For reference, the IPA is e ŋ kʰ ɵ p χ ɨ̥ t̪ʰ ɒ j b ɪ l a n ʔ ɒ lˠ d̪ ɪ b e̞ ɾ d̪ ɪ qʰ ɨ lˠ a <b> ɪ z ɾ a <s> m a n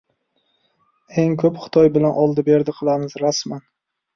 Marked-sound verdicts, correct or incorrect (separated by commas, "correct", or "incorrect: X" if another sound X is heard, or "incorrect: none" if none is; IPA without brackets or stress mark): incorrect: m, correct